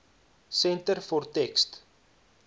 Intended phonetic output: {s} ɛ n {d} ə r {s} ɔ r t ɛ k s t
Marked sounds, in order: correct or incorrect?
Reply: correct, incorrect: t, incorrect: f

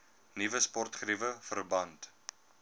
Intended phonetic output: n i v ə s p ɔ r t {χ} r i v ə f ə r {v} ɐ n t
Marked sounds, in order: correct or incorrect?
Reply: correct, incorrect: b

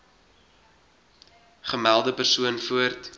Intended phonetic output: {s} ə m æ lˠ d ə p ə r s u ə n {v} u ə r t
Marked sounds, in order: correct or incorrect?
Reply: incorrect: χ, incorrect: f

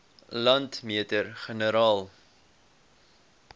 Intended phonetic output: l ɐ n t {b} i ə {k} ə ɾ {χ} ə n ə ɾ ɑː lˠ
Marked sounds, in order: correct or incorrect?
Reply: incorrect: m, incorrect: t, correct

